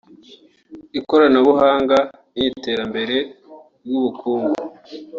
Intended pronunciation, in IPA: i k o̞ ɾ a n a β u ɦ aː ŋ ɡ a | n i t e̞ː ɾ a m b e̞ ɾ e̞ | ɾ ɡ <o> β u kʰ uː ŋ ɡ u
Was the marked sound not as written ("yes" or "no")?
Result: yes